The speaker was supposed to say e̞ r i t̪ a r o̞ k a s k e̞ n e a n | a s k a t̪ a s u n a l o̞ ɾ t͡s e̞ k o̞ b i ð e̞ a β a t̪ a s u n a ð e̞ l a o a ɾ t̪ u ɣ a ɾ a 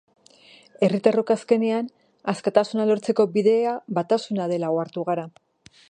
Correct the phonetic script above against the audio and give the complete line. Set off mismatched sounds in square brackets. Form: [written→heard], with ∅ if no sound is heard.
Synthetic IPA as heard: e̞ r i t̪ a r o̞ k a s k e̞ n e a n | a s k a t̪ a s u n a l o̞ ɾ t͡s e̞ k o̞ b i ð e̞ a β a t̪ a s u n a ð e̞ l a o a ɾ t̪ u ɣ a ɾ a